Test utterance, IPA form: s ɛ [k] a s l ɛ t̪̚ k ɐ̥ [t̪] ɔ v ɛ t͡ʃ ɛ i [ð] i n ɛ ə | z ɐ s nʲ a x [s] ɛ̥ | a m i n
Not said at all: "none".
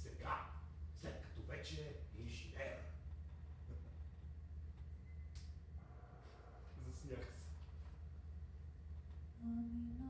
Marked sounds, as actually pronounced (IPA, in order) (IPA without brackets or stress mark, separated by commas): ɡ, t̪, ʒ, s